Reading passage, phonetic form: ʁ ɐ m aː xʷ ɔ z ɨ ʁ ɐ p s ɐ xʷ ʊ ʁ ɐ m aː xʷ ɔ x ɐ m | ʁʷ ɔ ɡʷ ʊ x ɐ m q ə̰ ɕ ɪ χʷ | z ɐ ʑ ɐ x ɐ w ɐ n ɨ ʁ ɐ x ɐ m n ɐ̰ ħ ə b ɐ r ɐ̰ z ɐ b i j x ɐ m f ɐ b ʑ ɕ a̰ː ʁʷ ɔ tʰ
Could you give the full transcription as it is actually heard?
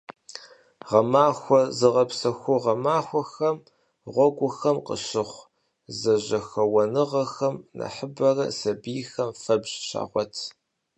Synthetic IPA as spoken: ʁ ɐ m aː xʷ ɔ z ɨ ʁ ɐ p s ɐ xʷ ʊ ʁ ɐ m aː xʷ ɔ x ɐ m | ʁʷ ɔ ɡʷ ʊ x ɐ m q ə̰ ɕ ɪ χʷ | z ɐ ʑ ɐ x ɐ w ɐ n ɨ ʁ ɐ x ɐ m n ɐ̰ ħ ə b ɐ r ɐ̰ s ɐ b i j x ɐ m f ɐ b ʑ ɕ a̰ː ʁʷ ɔ tʰ